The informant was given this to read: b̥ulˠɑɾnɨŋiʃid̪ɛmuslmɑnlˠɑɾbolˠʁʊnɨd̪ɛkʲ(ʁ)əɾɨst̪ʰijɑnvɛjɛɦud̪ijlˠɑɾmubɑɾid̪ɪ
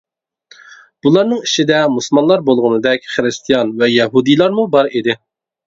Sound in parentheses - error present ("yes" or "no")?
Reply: yes